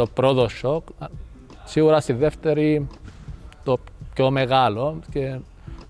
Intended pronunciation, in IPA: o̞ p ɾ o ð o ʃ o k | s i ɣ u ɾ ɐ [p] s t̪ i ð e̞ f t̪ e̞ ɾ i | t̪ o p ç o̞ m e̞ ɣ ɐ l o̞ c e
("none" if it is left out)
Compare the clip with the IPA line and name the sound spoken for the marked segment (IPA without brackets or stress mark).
none